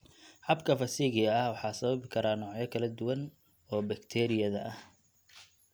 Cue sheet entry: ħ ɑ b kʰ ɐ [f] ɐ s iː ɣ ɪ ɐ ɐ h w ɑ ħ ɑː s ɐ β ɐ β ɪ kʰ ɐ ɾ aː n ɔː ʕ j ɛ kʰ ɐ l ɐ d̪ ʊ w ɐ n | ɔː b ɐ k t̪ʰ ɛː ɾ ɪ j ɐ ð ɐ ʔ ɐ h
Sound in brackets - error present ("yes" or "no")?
no